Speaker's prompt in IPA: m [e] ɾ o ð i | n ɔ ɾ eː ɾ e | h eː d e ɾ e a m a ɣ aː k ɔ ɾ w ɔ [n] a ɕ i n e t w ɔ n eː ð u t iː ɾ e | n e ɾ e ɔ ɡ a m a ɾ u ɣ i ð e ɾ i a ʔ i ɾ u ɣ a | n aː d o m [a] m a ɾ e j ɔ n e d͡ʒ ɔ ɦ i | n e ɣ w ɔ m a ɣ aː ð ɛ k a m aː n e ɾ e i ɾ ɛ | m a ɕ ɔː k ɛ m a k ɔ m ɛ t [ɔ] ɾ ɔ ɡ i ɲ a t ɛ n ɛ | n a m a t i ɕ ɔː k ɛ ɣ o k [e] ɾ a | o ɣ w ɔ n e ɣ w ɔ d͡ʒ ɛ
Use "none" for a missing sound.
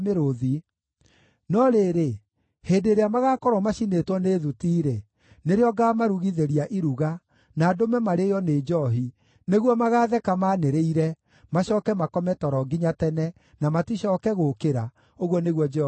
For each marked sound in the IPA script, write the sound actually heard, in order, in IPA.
e, m, ɛ, ɔ, e

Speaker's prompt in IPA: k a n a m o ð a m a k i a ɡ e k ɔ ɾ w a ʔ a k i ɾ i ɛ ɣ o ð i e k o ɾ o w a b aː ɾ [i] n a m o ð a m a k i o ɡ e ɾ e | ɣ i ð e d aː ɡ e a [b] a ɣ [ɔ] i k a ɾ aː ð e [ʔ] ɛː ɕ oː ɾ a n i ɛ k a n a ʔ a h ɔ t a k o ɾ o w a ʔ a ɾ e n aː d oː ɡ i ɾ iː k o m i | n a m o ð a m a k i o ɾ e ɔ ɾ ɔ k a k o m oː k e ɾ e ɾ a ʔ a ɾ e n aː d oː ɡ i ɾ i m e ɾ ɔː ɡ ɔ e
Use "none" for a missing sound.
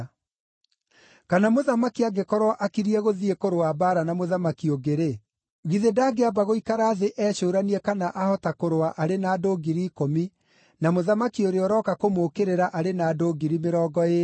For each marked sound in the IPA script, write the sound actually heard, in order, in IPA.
a, b, o, ʔ

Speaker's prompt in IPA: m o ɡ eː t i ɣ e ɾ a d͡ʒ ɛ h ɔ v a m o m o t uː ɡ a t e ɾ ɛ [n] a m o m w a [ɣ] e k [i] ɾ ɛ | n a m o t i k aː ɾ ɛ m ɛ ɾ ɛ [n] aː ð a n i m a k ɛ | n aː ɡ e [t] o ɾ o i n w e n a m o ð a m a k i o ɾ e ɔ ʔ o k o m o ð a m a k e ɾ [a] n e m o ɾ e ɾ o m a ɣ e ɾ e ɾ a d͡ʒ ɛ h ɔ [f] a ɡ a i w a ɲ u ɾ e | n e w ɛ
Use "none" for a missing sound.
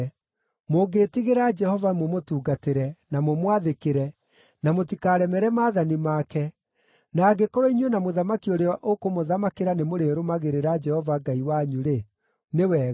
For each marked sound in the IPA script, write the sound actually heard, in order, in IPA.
n, ð, e, m, k, a, v

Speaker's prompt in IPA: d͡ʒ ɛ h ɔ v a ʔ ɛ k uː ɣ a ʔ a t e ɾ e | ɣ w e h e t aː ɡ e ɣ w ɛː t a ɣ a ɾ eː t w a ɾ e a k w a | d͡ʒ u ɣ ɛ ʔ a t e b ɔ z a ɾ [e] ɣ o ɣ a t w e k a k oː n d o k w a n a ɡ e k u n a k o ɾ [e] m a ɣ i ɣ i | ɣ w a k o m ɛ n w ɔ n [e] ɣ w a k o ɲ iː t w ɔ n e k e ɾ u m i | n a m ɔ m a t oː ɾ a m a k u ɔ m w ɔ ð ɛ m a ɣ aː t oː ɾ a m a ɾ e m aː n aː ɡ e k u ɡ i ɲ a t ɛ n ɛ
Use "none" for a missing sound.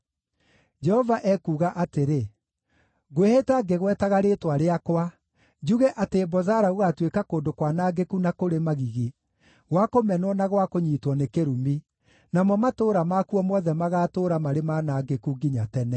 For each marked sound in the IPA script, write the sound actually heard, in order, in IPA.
a, e, a

